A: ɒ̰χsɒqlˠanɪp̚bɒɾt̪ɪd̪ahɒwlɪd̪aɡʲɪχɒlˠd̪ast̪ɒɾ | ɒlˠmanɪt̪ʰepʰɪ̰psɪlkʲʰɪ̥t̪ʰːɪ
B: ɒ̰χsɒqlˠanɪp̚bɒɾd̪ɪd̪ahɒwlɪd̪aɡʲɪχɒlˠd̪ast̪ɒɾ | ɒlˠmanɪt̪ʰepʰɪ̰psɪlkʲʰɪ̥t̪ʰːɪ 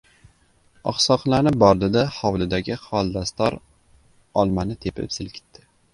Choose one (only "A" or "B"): B